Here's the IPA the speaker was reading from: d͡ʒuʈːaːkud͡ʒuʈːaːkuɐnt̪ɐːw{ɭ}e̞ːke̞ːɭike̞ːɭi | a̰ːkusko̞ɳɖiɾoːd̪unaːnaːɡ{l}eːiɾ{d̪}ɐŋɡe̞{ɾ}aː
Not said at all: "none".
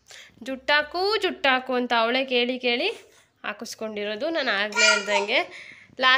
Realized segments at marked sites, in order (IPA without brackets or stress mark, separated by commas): ɭ, l, d̪, l